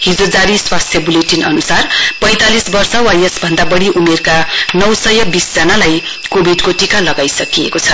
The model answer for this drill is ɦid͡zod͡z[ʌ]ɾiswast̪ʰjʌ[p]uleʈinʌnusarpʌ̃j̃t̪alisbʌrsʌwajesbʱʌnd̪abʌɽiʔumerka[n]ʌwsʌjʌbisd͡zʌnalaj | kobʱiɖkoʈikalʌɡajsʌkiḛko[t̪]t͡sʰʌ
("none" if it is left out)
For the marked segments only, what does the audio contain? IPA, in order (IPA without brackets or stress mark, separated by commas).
a, b, n, none